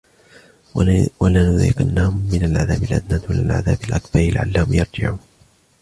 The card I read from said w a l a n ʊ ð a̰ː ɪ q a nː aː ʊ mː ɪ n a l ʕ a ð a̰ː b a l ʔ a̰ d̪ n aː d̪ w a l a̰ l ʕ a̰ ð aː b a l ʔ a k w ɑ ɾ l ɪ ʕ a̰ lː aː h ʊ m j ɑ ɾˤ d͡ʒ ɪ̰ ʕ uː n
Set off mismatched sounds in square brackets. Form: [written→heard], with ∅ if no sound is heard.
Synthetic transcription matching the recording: w a l a n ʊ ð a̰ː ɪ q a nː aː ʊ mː ɪ n a l ʕ a ð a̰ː b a l ʔ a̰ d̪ n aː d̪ w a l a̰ l ʕ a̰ ð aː b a l ʔ a k [w→b] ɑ ɾ l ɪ ʕ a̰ lː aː h ʊ m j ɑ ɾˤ d͡ʒ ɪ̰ ʕ uː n